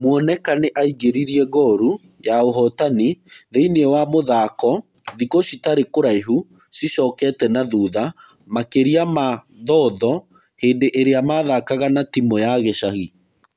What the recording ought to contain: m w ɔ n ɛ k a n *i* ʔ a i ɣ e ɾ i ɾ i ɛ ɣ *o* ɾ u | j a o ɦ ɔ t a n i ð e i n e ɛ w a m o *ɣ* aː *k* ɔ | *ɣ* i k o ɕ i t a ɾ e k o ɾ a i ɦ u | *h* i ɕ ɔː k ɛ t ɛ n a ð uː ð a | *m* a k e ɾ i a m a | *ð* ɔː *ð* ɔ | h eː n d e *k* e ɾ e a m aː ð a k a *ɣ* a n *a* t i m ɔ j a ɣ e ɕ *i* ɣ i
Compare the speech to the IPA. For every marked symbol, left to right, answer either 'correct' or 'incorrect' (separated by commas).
incorrect, incorrect, incorrect, correct, incorrect, incorrect, correct, correct, correct, incorrect, correct, correct, incorrect